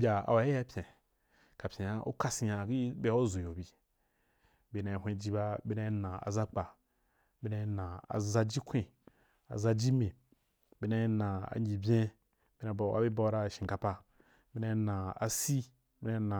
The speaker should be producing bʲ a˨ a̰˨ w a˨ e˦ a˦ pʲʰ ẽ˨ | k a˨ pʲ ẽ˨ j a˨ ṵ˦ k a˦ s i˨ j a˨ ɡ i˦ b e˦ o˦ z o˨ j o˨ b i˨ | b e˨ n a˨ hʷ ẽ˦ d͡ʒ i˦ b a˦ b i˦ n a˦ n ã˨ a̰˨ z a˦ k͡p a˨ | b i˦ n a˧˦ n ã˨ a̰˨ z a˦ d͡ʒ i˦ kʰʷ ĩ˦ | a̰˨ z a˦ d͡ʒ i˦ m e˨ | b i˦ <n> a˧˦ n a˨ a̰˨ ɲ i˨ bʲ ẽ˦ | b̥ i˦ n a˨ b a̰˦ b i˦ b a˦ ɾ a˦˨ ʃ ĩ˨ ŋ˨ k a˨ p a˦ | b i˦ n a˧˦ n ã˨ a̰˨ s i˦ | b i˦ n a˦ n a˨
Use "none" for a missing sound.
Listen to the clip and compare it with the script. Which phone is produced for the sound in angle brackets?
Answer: n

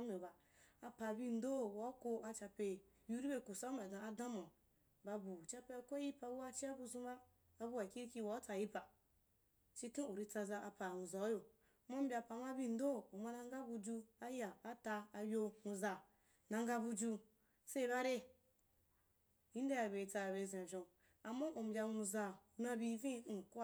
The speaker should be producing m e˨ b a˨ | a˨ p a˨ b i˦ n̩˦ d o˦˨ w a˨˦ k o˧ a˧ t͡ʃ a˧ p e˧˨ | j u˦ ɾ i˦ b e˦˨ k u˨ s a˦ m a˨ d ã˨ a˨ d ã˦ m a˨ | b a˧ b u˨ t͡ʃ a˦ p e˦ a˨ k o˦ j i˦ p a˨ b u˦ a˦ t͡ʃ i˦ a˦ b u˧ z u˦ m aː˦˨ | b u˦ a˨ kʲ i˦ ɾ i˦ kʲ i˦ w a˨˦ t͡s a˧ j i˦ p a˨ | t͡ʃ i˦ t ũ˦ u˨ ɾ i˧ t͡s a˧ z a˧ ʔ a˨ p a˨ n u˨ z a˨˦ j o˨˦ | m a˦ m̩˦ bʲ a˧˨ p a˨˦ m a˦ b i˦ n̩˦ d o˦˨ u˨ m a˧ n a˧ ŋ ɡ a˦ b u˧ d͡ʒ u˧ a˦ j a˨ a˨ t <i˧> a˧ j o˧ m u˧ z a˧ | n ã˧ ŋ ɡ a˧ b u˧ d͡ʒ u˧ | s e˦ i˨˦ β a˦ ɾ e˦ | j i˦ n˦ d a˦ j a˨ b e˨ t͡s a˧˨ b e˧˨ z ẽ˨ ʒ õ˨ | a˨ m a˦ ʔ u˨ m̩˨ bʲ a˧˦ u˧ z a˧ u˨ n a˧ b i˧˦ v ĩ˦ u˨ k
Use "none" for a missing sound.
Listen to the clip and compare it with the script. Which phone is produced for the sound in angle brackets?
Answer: a˧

